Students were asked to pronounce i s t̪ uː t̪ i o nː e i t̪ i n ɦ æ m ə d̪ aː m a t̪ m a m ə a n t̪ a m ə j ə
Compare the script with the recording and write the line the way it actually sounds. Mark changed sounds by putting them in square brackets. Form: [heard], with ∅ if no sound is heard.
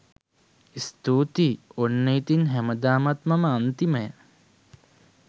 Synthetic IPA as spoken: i s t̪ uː t̪ i o nː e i t̪ i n ɦ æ m ə d̪ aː m a t̪ m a m ə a n t̪ [i] m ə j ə

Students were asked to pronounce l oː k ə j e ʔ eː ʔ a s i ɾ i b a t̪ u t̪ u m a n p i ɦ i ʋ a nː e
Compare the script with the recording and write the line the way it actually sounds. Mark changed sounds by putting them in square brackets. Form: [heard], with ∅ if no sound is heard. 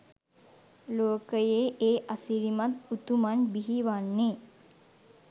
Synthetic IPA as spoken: l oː k ə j e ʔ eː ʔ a s i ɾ i [m] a t̪ u t̪ u m a n [b] i ɦ i ʋ a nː e

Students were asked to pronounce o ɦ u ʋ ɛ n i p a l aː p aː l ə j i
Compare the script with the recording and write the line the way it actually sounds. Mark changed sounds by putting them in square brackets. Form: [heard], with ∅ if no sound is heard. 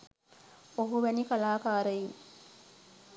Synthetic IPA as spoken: o ɦ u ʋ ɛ n i [k] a l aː [k] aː [ɾ] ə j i

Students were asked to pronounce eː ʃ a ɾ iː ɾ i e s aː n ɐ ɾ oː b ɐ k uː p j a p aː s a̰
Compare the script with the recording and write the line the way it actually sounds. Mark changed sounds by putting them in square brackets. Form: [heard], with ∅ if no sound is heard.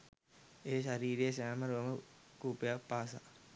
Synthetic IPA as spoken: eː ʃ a ɾ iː ɾ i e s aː [m] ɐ ɾ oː [m] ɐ k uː p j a p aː s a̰

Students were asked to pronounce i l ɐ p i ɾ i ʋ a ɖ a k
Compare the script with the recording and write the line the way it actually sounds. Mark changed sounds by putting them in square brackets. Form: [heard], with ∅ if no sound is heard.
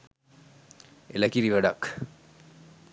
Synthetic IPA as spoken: [e] l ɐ [k] i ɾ i ʋ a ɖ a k

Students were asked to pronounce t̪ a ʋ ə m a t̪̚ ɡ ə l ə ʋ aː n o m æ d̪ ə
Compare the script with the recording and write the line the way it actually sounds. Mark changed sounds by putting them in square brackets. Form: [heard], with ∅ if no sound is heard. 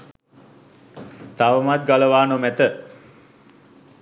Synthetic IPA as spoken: t̪ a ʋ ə m a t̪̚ ɡ [a] l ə ʋ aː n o m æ [t̪] ə

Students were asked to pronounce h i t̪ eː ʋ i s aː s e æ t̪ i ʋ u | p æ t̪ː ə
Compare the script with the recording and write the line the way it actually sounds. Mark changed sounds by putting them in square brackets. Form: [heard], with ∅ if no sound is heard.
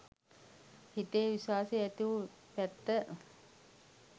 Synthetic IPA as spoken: h i t̪ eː ʋ i s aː s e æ t̪ i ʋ u | p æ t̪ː ə

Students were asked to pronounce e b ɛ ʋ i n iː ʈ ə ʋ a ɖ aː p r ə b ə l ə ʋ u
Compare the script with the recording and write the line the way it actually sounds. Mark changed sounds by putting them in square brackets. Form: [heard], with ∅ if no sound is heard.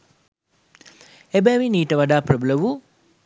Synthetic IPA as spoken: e b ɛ ʋ i n iː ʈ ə ʋ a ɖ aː p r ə b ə l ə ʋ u

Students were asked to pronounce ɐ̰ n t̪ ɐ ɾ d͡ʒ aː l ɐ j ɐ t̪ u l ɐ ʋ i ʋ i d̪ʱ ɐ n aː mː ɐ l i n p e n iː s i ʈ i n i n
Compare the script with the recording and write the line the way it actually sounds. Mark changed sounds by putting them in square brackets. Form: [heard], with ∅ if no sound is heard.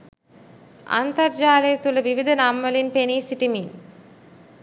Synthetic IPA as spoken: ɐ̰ n t̪ ɐ ɾ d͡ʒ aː l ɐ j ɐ t̪ u l ɐ ʋ i ʋ i d̪ʱ ɐ n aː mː ɐ l i n p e n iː s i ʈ i [m] i n

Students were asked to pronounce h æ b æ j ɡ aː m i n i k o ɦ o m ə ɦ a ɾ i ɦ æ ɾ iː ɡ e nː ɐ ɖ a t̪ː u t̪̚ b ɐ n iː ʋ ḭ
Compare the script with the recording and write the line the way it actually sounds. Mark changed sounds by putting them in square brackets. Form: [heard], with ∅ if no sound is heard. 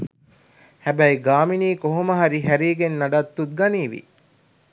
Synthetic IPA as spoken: h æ b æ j ɡ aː m i n [iː] k o ɦ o m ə ɦ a ɾ i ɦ æ ɾ iː ɡ e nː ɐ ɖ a t̪ː u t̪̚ [ɡ] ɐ n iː ʋ ḭ

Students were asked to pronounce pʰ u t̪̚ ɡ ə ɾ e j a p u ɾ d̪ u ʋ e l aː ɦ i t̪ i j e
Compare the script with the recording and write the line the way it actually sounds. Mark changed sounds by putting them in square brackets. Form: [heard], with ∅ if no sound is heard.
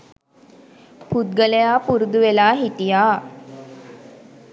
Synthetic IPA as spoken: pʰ u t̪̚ ɡ ə [l] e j a p u ɾ d̪ u ʋ e l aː ɦ i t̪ i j [a]

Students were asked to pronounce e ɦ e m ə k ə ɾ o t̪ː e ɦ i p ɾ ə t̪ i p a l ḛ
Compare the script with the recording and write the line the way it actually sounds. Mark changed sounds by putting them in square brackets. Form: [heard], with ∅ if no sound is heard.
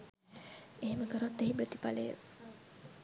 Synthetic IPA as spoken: e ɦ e m ə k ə ɾ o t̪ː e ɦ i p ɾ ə t̪ i p a l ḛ

